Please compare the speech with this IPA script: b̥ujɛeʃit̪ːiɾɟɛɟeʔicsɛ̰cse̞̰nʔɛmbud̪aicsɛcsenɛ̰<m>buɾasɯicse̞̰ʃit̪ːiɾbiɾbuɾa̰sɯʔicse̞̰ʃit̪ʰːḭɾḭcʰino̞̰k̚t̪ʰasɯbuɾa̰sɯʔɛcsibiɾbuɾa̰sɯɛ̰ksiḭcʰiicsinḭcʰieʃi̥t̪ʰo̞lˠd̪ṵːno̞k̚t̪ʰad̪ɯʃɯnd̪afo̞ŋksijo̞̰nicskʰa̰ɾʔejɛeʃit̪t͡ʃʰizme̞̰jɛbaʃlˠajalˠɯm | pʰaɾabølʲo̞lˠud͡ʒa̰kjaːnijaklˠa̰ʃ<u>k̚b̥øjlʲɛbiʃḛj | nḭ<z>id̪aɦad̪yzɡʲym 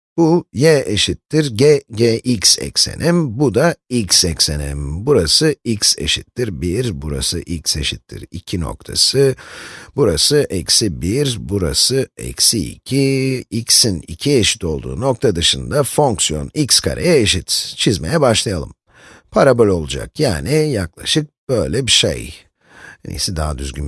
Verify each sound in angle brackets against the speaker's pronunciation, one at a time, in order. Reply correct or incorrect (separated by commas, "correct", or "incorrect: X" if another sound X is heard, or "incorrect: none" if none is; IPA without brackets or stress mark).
correct, incorrect: ɯ, incorrect: s